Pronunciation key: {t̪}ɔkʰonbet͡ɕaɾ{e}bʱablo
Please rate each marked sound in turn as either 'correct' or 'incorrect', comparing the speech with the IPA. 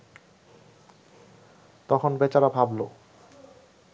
correct, incorrect: a

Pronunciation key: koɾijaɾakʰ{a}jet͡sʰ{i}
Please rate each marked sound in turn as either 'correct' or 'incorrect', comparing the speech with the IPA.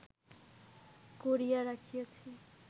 incorrect: i, correct

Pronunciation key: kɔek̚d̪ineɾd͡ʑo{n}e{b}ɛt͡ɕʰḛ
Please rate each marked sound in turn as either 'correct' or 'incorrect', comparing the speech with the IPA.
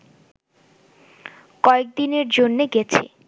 incorrect: nː, incorrect: ɡ

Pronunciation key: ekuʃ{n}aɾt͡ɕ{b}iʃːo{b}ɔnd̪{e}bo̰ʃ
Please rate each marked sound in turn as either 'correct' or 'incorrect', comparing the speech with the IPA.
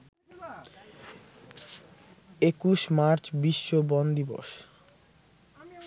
incorrect: m, correct, correct, incorrect: i

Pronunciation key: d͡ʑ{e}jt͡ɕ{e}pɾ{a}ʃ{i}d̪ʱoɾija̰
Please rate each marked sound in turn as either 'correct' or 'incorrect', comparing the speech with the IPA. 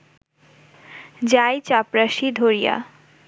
incorrect: a, incorrect: a, correct, correct

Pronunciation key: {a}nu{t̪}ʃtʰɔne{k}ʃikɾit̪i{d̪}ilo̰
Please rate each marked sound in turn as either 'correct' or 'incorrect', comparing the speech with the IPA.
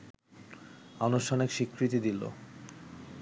correct, incorrect: none, correct, correct

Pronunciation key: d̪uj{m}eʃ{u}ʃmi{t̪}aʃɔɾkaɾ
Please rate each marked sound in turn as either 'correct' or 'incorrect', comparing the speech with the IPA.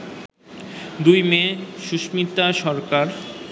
correct, correct, correct

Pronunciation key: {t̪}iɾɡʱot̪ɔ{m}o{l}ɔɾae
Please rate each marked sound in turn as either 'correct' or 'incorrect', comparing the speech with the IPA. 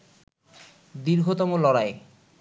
incorrect: d̪, correct, correct

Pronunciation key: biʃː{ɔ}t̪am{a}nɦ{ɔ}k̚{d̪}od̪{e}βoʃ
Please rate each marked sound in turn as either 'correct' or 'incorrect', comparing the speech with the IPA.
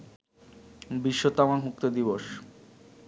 incorrect: o, correct, incorrect: u, incorrect: t̪, incorrect: i

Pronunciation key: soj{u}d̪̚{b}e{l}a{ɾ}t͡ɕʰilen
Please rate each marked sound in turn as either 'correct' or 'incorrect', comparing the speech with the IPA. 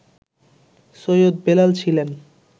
incorrect: o, correct, correct, incorrect: l

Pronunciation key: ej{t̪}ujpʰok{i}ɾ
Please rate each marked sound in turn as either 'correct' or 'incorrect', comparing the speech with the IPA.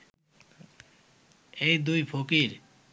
incorrect: d̪, correct

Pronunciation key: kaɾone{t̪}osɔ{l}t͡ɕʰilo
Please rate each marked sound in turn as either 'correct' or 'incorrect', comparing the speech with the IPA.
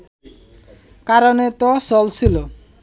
correct, correct

